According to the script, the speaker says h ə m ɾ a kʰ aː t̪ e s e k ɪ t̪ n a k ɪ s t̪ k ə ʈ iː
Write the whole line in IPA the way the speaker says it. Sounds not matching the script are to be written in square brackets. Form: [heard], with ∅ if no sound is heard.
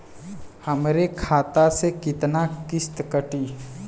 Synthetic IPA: h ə m ɾ [e] kʰ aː t̪ [a] s e k ɪ t̪ n a k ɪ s t̪ k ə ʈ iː